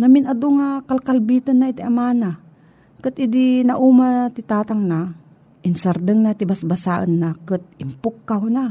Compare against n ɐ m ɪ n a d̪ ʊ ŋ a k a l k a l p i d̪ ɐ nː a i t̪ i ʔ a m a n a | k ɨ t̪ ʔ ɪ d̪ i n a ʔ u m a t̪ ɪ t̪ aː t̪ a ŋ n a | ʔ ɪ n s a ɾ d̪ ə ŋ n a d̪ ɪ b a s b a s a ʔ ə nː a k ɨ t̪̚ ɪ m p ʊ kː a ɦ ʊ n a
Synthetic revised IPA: n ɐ m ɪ n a d̪ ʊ ŋ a k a l k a l b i t̪ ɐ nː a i t̪ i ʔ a m a n a | k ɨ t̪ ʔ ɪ d̪ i n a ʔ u m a t̪ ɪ t̪ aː t̪ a ŋ n a | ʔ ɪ n s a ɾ d̪ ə ŋ n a t̪ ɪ b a s b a s a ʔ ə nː a k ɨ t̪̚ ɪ m p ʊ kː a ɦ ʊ n a